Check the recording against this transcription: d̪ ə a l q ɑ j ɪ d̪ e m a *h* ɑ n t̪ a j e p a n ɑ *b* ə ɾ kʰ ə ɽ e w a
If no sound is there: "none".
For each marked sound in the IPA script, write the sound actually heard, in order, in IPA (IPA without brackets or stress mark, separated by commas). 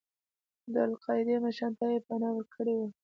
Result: ʃ, w